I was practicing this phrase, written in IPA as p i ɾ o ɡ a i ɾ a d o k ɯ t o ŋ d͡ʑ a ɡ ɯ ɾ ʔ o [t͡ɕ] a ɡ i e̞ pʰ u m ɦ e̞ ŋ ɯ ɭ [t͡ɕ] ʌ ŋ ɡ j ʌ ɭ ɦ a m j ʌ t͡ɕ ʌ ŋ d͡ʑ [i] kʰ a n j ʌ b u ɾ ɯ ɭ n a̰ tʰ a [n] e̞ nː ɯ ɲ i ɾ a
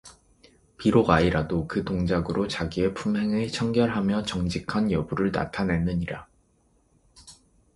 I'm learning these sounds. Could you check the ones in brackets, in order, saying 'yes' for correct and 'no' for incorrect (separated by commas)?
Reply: yes, no, yes, yes